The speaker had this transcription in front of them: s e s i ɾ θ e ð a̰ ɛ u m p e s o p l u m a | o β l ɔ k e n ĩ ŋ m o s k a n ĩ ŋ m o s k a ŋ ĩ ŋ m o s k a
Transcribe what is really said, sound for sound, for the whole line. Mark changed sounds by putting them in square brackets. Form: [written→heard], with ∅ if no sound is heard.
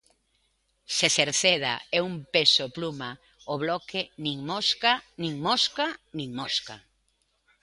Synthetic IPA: s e s [i→e] ɾ θ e ð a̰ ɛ u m p e s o p l u m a | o β l ɔ k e n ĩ ŋ m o s k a n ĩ ŋ m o s k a [ŋ→n] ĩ ŋ m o s k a